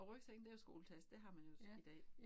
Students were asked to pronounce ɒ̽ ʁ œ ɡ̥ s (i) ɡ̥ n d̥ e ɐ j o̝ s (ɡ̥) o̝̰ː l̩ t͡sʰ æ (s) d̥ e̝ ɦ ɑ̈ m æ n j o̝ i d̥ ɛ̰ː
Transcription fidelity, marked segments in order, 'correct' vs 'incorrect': incorrect: e, correct, correct

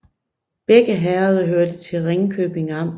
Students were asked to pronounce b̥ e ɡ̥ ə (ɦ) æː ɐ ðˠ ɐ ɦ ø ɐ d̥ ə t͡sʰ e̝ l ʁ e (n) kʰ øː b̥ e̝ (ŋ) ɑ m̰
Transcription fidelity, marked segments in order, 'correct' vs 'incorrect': correct, incorrect: ŋ, correct

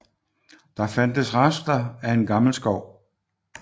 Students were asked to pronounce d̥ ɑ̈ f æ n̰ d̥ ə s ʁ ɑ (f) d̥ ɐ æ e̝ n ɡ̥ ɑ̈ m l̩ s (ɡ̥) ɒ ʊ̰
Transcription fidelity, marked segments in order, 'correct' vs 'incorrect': incorrect: s, correct

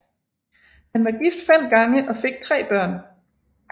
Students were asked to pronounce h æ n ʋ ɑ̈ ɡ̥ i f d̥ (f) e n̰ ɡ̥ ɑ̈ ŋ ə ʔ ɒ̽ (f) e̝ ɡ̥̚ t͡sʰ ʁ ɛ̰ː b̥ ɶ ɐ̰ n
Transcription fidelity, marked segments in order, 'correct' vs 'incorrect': correct, correct

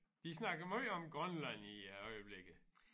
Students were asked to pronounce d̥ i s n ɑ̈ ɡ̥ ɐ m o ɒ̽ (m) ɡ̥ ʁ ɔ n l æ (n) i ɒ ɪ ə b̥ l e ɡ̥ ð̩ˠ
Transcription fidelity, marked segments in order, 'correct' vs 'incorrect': correct, correct

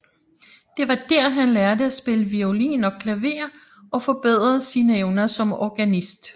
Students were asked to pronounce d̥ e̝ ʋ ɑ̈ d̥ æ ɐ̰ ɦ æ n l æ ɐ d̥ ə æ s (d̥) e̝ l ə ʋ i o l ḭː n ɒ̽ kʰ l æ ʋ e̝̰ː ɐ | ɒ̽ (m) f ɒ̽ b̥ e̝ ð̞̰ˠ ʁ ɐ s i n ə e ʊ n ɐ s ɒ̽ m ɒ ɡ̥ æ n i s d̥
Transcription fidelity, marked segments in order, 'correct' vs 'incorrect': incorrect: b̥, incorrect: none

